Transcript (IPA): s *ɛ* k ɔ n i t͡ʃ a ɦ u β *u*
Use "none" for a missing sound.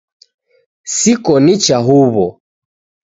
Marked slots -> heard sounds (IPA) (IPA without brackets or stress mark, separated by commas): i, ɔ